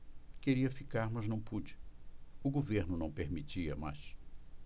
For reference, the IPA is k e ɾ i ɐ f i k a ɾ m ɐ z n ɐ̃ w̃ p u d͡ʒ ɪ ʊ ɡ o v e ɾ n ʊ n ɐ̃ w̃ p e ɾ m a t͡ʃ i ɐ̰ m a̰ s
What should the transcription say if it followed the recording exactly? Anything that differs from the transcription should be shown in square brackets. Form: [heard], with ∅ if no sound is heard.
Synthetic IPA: k e ɾ i ɐ f i k a ɾ m ɐ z n ɐ̃ w̃ p u d͡ʒ ɪ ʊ ɡ o v e ɾ n ʊ n ɐ̃ w̃ p e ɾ m [i] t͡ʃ i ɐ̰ m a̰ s